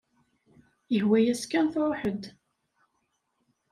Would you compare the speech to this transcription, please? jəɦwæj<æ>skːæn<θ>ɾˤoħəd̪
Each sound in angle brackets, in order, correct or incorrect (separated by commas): correct, correct